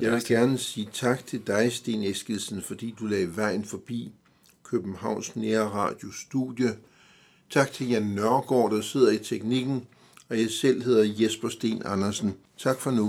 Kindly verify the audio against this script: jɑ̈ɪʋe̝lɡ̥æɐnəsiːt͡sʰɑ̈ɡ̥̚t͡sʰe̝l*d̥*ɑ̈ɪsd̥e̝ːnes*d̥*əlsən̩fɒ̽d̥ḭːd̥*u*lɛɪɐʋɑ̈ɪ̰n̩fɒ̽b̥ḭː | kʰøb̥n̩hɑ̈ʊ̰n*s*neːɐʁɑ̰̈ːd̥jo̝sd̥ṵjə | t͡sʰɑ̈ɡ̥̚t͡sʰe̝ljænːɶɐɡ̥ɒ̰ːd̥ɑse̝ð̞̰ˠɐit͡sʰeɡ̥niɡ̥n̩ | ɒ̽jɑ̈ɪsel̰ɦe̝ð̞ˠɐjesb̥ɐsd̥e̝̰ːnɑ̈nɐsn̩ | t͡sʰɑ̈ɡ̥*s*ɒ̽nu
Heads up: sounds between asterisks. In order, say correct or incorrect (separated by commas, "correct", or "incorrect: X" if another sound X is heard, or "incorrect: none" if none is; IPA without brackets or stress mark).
correct, incorrect: ɡ̥, correct, correct, incorrect: f